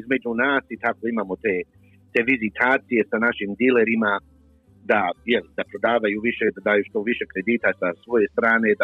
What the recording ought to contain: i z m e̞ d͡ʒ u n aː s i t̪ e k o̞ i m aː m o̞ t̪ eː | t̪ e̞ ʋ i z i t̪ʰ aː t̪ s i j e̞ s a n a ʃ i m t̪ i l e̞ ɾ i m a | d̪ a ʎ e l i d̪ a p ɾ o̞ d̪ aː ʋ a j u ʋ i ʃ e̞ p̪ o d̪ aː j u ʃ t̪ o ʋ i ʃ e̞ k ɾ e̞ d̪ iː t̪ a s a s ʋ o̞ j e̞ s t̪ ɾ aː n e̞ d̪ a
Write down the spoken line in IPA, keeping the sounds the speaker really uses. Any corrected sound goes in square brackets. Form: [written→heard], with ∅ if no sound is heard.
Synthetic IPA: i z m e̞ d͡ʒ u n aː s i t̪ [e→a] k o̞ i m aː m o̞ t̪ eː | t̪ e̞ ʋ i z i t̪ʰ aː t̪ s i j e̞ s a n a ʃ i m [t̪→d̪] i l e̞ ɾ i m a | d̪ a [ʎ→j] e l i d̪ a p ɾ o̞ d̪ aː ʋ a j u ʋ i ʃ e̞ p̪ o d̪ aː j u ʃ t̪ o ʋ i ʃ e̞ k ɾ e̞ d̪ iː t̪ a s a s ʋ o̞ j e̞ s t̪ ɾ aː n e̞ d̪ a